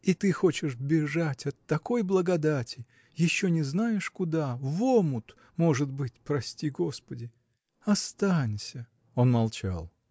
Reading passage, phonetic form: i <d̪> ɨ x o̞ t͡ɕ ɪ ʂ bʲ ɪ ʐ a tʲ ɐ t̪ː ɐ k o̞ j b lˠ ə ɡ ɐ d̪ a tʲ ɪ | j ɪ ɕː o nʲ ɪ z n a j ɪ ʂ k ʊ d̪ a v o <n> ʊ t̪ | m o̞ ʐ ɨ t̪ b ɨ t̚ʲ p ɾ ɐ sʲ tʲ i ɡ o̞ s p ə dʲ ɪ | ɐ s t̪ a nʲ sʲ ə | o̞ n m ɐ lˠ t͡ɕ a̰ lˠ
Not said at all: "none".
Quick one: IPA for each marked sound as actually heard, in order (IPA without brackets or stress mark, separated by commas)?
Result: t̪, m